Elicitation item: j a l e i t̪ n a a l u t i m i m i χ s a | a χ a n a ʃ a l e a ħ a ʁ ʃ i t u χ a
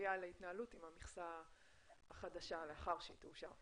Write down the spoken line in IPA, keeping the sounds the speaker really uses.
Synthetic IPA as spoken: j a l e i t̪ n a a l u t i m a m i χ s a | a χ a d a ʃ a l e a χ a ʁ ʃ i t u ʃ a